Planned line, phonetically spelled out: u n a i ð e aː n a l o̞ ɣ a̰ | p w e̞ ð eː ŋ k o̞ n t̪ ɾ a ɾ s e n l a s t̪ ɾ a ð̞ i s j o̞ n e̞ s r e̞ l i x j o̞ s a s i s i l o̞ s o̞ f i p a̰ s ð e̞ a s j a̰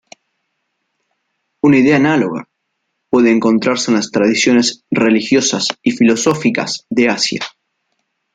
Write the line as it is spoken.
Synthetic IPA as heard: u n a i ð e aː n a l o̞ ɣ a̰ | p w e̞ ð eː ŋ k o̞ n t̪ ɾ a ɾ s e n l a s t̪ ɾ a ð̞ i s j o̞ n e̞ s r e̞ l i x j o̞ s a s i f i l o̞ s o̞ f i k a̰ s ð e̞ a s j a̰